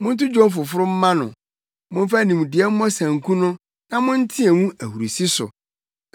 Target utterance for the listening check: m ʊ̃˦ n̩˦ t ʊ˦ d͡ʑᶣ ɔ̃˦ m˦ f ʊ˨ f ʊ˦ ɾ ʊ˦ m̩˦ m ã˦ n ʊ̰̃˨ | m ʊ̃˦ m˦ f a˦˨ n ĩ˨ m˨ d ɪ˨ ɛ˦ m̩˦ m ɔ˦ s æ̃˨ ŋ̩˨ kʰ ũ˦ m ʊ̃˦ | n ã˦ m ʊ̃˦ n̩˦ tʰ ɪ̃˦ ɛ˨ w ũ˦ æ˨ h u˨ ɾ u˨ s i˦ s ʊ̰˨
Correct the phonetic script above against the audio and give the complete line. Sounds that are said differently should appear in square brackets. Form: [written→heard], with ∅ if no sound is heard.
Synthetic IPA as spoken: m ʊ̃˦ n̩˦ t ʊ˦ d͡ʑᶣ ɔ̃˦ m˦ f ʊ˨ f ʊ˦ ɾ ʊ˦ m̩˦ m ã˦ n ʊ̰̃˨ | m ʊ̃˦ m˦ f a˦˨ n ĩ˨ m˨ d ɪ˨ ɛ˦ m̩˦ m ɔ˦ s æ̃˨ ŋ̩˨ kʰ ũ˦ [m→n] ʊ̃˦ | n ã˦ m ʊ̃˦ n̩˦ tʰ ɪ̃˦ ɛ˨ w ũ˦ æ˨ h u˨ ɾ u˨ s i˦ s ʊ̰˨